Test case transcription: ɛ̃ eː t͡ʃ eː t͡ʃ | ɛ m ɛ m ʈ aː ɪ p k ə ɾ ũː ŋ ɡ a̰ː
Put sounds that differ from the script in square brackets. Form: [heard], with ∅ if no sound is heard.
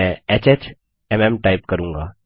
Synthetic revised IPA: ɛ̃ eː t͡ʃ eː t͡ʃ | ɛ m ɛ m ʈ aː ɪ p k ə ɾ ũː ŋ ɡ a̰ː